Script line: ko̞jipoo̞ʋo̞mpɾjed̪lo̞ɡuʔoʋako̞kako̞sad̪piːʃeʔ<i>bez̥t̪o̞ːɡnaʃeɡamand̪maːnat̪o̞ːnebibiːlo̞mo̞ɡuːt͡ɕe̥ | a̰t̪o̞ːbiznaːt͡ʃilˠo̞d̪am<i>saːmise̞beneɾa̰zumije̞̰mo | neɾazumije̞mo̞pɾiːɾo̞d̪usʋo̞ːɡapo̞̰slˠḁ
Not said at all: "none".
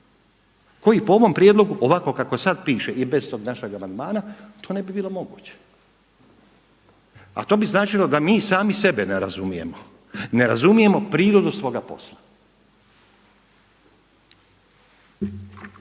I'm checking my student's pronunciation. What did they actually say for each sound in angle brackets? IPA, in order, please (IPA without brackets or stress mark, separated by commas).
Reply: i, iː